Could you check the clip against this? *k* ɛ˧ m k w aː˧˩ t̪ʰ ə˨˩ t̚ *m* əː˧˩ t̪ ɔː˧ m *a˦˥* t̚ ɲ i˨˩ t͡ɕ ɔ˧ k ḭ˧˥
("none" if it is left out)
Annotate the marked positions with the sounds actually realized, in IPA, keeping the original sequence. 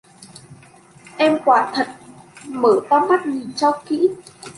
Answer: ʔ, m, a˦˥

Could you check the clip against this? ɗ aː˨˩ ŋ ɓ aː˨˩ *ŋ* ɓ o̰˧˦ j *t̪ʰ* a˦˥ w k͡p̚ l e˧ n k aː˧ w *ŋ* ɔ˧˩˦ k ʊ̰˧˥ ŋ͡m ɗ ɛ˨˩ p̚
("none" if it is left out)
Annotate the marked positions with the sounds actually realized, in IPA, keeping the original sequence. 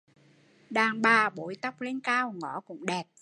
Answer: none, t̪, ŋ

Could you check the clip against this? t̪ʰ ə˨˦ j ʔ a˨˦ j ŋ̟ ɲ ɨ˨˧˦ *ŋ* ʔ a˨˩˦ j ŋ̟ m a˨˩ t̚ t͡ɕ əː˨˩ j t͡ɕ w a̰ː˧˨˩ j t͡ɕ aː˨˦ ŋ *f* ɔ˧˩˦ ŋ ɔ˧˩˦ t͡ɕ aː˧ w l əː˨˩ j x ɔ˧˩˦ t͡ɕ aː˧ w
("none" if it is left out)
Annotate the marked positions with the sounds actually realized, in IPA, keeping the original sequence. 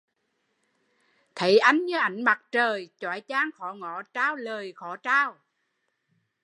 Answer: none, x

